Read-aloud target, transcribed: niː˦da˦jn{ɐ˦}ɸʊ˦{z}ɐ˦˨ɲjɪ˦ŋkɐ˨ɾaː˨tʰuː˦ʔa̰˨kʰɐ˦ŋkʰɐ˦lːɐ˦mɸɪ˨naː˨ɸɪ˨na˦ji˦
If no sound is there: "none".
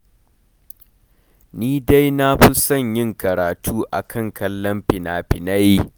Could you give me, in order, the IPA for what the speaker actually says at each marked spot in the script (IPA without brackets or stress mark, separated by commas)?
a˦, s